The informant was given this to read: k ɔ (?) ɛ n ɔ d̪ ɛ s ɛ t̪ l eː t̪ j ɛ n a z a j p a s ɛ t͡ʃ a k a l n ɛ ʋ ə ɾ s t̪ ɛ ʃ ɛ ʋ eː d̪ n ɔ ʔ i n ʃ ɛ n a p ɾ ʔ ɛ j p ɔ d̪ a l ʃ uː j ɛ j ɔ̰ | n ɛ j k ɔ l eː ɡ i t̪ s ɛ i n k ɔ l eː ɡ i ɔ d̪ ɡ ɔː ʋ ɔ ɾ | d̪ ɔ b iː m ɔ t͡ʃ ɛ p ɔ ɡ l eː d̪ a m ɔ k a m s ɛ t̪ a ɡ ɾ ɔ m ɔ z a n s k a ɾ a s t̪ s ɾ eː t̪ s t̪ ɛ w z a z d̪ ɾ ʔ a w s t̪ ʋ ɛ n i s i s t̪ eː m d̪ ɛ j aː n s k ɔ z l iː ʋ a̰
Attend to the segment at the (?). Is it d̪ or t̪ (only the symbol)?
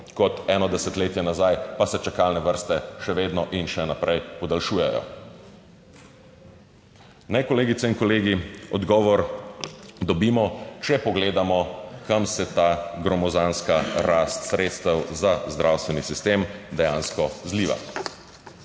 t̪